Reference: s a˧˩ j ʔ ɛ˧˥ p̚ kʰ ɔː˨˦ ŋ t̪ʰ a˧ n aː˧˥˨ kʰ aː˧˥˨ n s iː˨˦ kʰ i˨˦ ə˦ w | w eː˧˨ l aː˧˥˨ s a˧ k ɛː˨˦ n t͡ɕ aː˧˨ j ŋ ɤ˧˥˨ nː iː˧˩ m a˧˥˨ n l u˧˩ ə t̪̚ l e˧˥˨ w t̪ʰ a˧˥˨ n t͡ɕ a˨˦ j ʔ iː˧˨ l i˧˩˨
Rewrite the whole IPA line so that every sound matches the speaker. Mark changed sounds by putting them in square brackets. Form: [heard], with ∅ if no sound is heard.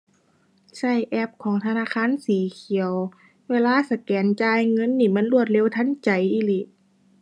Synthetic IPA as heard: s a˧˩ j ʔ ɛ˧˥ p̚ kʰ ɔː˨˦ ŋ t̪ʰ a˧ n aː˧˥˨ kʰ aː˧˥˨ n s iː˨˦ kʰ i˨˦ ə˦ w | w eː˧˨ l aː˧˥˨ s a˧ k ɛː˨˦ n t͡ɕ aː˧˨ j ŋ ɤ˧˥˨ nː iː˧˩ m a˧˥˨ n l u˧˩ ə t̪̚ l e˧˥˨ w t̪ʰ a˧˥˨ n t͡ɕ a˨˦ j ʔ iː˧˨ l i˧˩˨